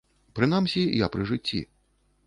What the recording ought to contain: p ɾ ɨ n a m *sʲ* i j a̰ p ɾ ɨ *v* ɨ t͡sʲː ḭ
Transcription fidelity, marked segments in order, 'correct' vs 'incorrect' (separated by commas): correct, incorrect